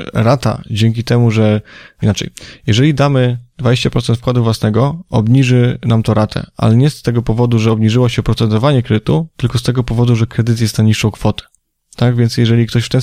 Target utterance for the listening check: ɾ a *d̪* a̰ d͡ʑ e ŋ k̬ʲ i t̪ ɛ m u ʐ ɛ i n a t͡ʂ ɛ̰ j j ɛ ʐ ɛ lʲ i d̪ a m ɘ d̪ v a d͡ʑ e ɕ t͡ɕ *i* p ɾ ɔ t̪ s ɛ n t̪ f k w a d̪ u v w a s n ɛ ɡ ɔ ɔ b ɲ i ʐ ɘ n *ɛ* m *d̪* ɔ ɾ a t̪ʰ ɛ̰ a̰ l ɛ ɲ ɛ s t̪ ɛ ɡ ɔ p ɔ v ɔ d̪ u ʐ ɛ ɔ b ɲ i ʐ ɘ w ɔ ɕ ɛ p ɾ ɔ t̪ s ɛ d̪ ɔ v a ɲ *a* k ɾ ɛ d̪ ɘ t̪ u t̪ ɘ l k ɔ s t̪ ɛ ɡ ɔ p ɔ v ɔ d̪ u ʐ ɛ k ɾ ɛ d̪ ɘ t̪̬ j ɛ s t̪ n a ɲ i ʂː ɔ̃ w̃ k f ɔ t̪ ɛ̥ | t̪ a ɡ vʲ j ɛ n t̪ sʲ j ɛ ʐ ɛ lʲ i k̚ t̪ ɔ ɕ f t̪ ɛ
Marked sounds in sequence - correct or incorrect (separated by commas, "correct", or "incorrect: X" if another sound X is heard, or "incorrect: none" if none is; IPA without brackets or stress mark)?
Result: incorrect: t̪, incorrect: a, incorrect: a, incorrect: t̪, incorrect: ɛ